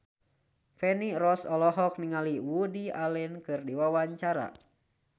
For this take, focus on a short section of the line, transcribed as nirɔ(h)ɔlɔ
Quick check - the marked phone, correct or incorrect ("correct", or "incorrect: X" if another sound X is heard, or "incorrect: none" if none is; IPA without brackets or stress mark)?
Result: incorrect: s